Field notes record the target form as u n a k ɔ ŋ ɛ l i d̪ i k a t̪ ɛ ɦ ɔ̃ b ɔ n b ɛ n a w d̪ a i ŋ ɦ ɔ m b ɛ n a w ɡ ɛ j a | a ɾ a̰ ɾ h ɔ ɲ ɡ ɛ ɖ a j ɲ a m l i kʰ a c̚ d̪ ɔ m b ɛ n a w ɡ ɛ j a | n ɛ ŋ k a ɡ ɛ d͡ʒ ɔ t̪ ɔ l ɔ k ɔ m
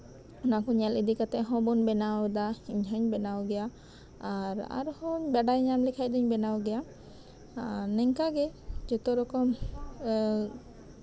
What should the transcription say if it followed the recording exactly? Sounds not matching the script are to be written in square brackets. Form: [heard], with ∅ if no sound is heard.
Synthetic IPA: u n a k ɔ [ɲ] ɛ l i d̪ i k a t̪ ɛ ɦ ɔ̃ b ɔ n b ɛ n a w d̪ a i [ɲ] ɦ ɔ [ɲ] b ɛ n a w ɡ ɛ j a | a ɾ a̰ ɾ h ɔ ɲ [b] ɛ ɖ a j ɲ a m l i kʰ a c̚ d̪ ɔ [ɲ] b ɛ n a w ɡ ɛ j a | n ɛ ŋ k a ɡ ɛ d͡ʒ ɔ t̪ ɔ [ɾ] ɔ k ɔ m

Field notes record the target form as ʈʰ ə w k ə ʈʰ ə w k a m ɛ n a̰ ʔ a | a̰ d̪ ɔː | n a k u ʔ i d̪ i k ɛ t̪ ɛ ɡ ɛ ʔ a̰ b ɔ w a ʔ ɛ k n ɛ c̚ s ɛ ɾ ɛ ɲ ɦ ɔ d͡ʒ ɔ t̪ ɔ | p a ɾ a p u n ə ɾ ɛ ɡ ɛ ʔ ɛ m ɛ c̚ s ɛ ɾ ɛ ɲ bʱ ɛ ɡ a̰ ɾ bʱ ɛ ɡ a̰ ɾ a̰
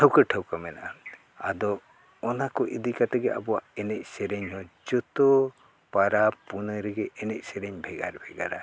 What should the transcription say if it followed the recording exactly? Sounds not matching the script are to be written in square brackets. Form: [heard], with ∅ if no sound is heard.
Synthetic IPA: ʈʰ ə w k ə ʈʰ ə w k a m ɛ n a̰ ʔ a | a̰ d̪ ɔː | n a k [ɔ] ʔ i d̪ i k [a] t̪ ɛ ɡ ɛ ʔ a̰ b ɔ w a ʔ ɛ [∅] n ɛ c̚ s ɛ ɾ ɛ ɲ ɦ ɔ d͡ʒ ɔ t̪ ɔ | p a ɾ a p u n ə ɾ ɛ ɡ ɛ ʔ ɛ [n] ɛ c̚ s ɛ ɾ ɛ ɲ bʱ ɛ ɡ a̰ ɾ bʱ ɛ ɡ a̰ ɾ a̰

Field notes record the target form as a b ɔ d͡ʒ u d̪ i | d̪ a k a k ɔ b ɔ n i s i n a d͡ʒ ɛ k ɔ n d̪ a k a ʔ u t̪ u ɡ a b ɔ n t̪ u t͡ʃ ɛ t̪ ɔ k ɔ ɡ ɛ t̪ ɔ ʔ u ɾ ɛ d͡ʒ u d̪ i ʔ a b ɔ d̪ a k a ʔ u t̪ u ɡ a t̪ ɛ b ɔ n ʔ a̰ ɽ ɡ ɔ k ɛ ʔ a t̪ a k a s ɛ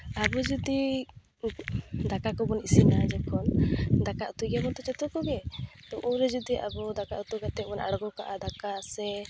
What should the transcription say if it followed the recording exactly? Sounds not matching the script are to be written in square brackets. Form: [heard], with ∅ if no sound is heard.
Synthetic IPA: a b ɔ d͡ʒ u d̪ i | d̪ a k a k ɔ b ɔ n i s i n a d͡ʒ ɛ k ɔ n d̪ a k a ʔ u t̪ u ɡ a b ɔ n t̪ [ɔ] t͡ʃ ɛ t̪ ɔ k ɔ ɡ ɛ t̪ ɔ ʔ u ɾ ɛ d͡ʒ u d̪ i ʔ a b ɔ d̪ a k a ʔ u t̪ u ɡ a t̪ ɛ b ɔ n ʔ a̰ ɽ ɡ ɔ k [a] ʔ a [d̪] a k a s ɛ

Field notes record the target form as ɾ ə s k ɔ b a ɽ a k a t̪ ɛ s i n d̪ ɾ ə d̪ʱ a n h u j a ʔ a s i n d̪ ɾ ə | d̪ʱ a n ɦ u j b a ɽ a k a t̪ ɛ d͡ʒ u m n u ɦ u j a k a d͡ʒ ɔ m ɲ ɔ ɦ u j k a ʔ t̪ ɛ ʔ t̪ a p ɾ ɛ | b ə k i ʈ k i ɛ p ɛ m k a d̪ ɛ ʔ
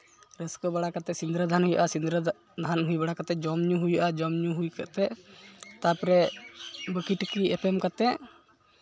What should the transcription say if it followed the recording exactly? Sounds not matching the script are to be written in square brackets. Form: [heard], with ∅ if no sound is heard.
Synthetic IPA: ɾ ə s k ɔ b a ɽ a k a t̪ ɛ s i n d̪ ɾ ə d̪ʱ a n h u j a ʔ a s i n d̪ ɾ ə | d̪ʱ a n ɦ u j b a ɽ a k a t̪ ɛ d͡ʒ [ɔ] m [ɲ] u ɦ u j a [ʔ] a d͡ʒ ɔ m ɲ [u] ɦ u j k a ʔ t̪ ɛ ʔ t̪ a p ɾ ɛ | b ə k i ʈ k i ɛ p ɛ m k a [t̪] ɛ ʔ

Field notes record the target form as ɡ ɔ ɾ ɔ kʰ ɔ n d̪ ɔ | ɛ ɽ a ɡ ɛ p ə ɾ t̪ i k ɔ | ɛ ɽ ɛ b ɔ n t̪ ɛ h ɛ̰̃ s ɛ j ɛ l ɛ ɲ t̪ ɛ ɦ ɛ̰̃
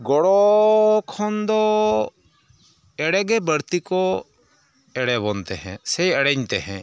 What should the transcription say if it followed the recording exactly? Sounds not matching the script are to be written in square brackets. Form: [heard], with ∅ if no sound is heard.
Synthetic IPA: ɡ ɔ [ɽ] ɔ kʰ ɔ n d̪ ɔ | ɛ ɽ [ɛ] ɡ ɛ [b] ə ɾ t̪ i k ɔ | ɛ ɽ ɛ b ɔ n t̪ ɛ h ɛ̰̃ s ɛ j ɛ [ɽ] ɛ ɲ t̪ ɛ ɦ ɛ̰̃

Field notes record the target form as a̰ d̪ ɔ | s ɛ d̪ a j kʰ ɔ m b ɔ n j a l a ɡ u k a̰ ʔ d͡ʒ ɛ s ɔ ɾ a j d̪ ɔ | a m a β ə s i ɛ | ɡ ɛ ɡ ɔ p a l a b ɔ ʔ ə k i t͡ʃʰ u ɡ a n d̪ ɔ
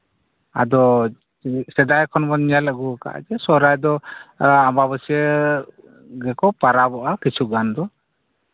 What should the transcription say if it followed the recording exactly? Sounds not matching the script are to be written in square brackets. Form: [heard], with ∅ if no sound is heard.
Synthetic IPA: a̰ d̪ ɔ | s ɛ d̪ a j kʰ ɔ [n] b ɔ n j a l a ɡ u k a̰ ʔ d͡ʒ ɛ s ɔ ɾ a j d̪ ɔ | a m a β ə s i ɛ | ɡ ɛ [k] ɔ p a [ɾ] a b ɔ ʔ [a] k i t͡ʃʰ u ɡ a n d̪ ɔ

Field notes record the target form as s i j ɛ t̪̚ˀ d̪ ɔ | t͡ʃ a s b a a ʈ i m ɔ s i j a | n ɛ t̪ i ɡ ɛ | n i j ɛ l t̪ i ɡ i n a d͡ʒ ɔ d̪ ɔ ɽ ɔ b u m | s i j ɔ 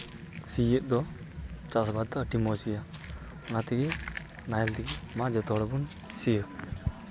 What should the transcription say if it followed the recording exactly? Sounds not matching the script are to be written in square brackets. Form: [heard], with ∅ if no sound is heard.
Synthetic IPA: s i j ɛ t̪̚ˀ d̪ ɔ | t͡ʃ a s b a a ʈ i m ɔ s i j a | n [a] t̪ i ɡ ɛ | n [a] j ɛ l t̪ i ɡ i [m] a d͡ʒ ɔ [t̪] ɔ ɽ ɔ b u [n] | s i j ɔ

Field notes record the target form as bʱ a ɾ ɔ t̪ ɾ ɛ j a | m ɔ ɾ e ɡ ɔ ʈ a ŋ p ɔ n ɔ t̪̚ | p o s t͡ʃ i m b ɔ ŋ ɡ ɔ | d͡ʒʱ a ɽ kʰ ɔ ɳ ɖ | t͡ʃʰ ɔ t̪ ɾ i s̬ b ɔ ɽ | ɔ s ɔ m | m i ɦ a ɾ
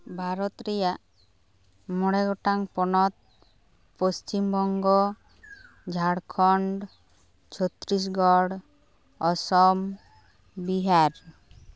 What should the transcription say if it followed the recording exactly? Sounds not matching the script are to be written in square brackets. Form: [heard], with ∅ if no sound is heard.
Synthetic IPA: bʱ a ɾ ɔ t̪ ɾ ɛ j a | m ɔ [ɽ] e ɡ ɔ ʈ a ŋ p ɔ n ɔ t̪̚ | p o s t͡ʃ i m b ɔ ŋ ɡ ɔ | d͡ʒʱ a ɽ kʰ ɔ ɳ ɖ | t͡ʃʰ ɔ t̪ ɾ i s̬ [ɡ] ɔ ɽ | ɔ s ɔ m | [b] i ɦ a ɾ

